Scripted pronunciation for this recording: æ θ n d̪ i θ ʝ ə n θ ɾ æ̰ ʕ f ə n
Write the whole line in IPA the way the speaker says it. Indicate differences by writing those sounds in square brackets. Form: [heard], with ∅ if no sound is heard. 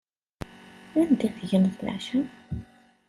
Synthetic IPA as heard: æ [∅] n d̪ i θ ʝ ə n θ [l] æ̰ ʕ [ʃ] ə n